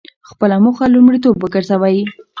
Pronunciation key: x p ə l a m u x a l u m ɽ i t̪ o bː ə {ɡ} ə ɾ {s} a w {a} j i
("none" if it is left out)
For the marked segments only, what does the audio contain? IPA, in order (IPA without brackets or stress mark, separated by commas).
ɡ, z, a